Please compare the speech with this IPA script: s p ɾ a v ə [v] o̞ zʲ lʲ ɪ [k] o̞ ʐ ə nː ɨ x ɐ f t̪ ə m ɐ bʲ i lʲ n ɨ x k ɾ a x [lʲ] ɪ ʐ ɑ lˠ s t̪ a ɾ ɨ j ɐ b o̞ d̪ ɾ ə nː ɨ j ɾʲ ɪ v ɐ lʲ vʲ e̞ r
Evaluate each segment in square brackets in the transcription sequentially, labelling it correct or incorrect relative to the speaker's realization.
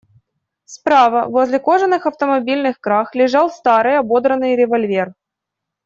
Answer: correct, correct, correct

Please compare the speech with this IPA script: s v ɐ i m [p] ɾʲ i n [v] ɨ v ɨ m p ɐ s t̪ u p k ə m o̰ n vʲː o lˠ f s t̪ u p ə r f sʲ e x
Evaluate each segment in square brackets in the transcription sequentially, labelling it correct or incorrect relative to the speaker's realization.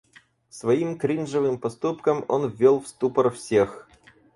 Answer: incorrect: k, incorrect: ʐ

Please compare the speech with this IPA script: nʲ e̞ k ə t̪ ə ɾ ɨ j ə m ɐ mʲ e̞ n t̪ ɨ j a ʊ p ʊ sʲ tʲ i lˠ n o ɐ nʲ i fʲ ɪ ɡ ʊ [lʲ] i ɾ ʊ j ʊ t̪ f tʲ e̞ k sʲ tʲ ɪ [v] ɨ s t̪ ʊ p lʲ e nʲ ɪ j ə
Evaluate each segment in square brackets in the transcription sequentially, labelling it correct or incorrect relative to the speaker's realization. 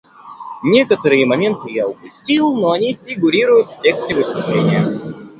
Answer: incorrect: ɾʲ, correct

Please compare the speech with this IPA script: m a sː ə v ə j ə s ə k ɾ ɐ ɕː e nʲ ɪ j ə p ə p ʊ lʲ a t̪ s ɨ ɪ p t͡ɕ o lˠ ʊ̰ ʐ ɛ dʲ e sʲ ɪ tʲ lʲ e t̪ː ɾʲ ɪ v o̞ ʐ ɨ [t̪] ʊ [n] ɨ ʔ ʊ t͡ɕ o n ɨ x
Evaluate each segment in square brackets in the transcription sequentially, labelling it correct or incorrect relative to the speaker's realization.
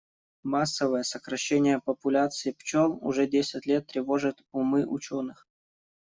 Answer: correct, incorrect: m

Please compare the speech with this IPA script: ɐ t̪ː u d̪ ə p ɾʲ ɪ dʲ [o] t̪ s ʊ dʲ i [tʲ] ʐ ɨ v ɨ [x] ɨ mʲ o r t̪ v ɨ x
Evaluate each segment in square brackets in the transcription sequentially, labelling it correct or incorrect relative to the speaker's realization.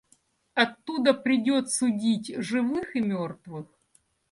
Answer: correct, correct, correct

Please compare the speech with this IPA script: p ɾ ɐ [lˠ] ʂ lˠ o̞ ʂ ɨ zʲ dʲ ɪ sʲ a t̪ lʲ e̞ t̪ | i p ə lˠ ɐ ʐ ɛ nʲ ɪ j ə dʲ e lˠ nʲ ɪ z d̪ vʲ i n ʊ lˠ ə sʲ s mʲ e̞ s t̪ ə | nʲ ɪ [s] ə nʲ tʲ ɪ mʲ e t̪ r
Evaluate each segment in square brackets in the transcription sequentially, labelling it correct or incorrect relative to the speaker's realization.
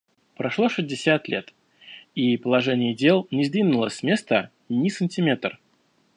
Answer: incorrect: none, correct

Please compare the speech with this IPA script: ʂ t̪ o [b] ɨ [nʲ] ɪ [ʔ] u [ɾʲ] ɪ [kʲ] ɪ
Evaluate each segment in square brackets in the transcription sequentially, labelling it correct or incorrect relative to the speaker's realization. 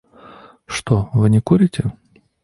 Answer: incorrect: v, correct, incorrect: k, correct, incorrect: tʲ

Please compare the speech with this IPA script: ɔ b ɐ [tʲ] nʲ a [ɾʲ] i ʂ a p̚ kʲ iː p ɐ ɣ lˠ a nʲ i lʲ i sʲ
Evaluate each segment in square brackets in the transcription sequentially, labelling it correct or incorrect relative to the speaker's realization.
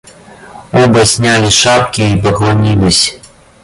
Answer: incorrect: sʲ, incorrect: lʲ

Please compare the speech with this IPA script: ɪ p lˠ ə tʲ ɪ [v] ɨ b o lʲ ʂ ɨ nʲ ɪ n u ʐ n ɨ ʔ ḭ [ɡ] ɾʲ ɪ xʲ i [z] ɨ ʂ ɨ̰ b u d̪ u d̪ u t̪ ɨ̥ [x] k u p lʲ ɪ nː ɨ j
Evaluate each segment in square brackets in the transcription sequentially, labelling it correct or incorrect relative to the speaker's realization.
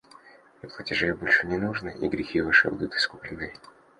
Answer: incorrect: ʐ, correct, incorrect: v, incorrect: s

